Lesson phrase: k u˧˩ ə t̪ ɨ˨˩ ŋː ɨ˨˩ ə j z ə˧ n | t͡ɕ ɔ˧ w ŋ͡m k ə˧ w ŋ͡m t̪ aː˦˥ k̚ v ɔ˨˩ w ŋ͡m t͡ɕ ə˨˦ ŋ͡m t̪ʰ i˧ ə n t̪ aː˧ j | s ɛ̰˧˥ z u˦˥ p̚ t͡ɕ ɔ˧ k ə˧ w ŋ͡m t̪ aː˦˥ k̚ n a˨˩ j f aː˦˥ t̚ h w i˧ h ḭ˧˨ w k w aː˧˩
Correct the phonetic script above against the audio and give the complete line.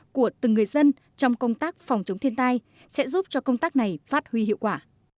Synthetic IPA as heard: k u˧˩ ə t̪ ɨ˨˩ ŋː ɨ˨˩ ə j z ə˧ n | t͡ɕ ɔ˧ w ŋ͡m k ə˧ w ŋ͡m t̪ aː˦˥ k̚ f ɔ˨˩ w ŋ͡m t͡ɕ ə˨˦ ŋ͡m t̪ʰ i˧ ə n t̪ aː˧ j | s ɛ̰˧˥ z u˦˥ p̚ t͡ɕ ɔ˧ k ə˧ w ŋ͡m t̪ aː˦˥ k̚ n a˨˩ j f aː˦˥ t̚ h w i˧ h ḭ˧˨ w k w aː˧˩